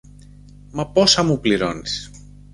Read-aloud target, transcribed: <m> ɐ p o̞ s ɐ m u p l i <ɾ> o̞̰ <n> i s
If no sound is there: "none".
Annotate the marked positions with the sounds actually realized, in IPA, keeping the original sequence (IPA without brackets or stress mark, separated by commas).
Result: m, ɾ, n